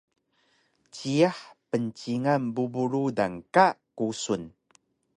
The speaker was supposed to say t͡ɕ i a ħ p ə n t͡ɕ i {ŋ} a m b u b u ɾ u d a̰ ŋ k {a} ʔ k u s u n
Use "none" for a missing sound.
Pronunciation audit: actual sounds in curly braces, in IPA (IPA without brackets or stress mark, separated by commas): ŋ, a